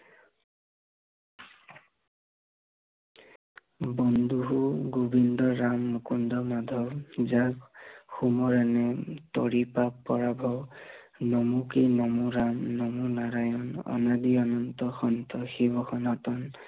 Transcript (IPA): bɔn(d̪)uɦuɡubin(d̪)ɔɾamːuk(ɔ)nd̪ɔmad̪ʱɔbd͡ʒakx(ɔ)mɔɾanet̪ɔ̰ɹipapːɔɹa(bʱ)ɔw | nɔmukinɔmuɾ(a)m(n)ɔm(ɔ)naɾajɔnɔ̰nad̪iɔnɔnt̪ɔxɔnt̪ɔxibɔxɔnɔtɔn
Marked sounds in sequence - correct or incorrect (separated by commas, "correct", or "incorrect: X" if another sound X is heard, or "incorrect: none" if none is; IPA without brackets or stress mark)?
correct, correct, incorrect: u, incorrect: u, correct, correct, correct, incorrect: u